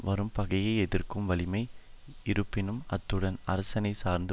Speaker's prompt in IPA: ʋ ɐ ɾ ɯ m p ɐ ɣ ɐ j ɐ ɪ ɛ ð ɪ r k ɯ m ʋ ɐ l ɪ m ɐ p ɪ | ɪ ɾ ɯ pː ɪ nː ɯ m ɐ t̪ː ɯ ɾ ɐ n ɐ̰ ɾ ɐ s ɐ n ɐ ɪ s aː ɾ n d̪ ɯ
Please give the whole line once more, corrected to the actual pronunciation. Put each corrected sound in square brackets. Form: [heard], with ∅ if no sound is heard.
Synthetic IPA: ʋ ɐ ɾ ɯ m p ɐ ɣ ɐ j ɐ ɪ ɛ ð ɪ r k ɯ m ʋ ɐ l ɪ m ɐ [∅] ɪ | ɪ ɾ ɯ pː ɪ [n] ɯ m ɐ t̪ː ɯ [ɽ] ɐ n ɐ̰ ɾ ɐ s ɐ n ɐ ɪ s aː ɾ n d̪ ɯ